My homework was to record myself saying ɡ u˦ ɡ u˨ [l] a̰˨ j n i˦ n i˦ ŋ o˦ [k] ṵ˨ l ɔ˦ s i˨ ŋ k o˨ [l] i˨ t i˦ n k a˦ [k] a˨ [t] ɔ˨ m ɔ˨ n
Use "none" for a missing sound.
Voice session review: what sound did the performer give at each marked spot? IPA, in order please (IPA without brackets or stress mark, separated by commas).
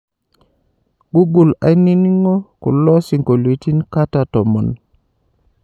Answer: l, k, l, t, t